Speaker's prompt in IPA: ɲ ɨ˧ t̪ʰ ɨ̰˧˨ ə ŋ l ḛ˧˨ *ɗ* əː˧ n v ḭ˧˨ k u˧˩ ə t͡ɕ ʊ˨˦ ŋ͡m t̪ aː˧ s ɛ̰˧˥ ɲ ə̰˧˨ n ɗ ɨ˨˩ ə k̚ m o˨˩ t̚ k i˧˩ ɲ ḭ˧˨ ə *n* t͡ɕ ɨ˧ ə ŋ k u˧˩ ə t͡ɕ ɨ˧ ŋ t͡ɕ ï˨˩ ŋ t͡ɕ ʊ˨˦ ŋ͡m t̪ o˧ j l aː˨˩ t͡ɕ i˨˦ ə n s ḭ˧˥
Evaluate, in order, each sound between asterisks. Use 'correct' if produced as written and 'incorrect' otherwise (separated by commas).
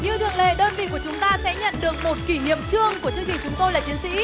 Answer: correct, incorrect